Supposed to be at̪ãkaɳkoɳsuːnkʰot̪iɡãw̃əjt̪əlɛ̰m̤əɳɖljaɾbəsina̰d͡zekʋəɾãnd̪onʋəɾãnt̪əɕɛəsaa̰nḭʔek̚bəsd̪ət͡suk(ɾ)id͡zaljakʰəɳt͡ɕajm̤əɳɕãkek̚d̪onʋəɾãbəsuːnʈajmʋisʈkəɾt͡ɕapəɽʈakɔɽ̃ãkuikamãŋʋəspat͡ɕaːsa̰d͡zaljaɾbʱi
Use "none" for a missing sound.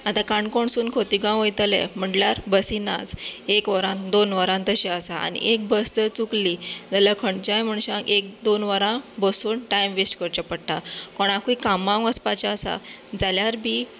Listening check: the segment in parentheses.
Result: l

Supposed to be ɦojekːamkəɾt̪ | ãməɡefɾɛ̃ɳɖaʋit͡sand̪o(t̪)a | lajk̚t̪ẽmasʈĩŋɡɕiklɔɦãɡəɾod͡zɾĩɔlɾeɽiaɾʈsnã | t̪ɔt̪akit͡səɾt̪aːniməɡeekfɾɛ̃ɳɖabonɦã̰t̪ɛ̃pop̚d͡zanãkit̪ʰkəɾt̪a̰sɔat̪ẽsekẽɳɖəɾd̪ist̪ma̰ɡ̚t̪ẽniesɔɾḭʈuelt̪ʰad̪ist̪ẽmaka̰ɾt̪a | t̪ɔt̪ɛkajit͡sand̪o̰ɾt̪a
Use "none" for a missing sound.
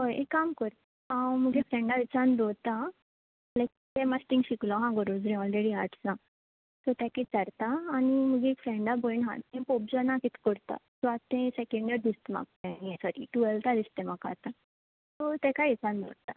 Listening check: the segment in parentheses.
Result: t̪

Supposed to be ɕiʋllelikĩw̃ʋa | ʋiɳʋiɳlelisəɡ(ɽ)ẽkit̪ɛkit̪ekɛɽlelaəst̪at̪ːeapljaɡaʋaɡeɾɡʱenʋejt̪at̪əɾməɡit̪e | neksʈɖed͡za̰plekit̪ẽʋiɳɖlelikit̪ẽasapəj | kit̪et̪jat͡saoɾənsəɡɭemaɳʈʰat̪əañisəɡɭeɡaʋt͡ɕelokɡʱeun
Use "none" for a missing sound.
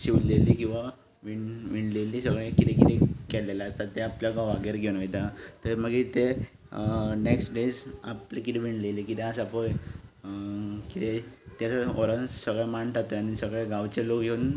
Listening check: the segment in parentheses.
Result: ɭ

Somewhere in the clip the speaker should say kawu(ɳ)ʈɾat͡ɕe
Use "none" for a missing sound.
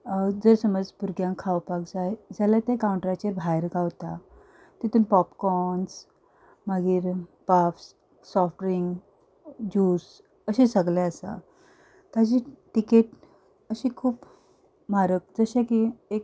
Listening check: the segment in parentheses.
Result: ɳ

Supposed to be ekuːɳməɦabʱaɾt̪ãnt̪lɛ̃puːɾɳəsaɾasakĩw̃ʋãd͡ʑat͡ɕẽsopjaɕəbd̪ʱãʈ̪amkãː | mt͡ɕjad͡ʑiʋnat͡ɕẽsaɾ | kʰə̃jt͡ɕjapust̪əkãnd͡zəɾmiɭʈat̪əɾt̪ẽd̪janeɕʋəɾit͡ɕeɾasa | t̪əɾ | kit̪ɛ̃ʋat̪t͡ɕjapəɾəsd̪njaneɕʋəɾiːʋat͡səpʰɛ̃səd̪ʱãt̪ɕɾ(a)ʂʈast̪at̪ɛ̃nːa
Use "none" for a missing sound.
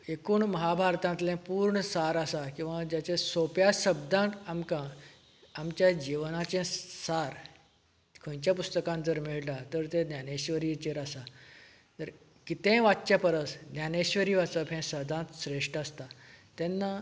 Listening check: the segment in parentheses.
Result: e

